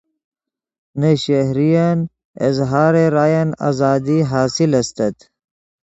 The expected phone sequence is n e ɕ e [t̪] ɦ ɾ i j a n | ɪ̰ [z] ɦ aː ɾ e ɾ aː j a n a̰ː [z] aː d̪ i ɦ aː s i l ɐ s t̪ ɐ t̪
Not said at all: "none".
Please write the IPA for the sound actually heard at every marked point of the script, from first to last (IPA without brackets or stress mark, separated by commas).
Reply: none, z, z